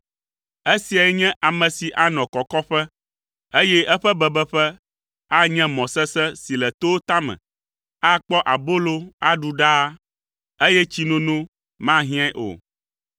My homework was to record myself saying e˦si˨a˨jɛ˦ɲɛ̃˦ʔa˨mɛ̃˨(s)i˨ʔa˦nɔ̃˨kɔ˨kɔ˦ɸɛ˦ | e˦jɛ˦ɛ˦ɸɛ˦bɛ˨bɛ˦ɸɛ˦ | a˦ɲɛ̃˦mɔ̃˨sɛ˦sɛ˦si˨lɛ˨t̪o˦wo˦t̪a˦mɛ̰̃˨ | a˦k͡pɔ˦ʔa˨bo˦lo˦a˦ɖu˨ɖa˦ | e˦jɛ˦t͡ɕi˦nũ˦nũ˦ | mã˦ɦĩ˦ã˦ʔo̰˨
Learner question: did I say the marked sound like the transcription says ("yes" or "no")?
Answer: yes